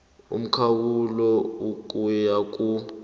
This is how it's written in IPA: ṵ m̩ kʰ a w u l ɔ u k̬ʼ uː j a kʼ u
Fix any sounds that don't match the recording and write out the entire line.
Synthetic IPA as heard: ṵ m̩ kʰ a w u l ɔ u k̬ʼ u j a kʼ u